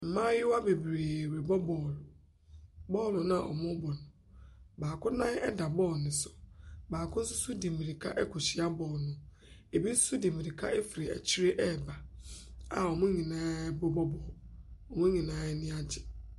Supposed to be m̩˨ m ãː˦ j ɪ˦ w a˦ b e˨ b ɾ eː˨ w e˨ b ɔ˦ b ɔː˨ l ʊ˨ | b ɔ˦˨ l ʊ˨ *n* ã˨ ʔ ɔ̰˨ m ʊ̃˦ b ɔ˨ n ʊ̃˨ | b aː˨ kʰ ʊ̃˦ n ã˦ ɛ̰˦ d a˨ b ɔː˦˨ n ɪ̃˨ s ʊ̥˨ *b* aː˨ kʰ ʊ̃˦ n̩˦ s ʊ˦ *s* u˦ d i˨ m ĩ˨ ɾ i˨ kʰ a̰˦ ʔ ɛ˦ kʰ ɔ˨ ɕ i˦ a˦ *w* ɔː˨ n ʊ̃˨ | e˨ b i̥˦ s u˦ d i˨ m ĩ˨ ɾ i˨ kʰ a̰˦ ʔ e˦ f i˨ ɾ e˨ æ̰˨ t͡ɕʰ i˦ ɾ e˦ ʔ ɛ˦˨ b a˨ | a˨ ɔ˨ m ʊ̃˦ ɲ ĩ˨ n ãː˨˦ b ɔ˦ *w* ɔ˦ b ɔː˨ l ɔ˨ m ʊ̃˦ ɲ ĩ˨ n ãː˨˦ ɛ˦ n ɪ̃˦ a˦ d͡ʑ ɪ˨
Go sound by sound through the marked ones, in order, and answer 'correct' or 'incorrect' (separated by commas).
correct, correct, correct, incorrect, incorrect